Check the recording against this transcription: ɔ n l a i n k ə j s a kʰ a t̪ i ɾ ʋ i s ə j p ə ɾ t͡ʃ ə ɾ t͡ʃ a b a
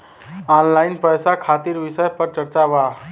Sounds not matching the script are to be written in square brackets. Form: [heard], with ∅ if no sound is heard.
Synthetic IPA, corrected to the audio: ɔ n l a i n [p] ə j s a kʰ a t̪ i ɾ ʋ i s ə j p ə ɾ t͡ʃ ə ɾ t͡ʃ a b a